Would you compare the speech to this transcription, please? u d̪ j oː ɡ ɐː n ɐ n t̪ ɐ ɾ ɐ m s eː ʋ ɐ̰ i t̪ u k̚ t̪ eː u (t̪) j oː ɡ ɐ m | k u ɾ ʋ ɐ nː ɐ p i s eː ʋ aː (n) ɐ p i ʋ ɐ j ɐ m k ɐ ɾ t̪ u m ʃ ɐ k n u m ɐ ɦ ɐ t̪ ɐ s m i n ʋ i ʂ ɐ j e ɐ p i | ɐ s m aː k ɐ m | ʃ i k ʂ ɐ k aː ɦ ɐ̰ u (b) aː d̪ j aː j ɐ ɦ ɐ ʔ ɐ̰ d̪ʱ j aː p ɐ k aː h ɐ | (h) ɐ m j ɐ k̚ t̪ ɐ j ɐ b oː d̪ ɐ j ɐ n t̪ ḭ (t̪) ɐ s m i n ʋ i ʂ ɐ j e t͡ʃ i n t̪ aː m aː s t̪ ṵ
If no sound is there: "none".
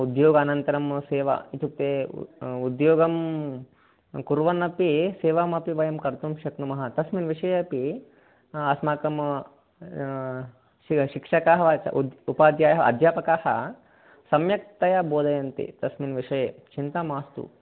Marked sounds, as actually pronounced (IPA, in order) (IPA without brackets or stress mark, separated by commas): d̪, m, p, s, t̪